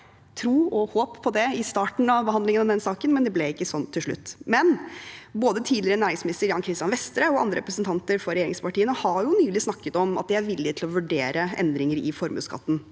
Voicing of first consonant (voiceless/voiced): voiceless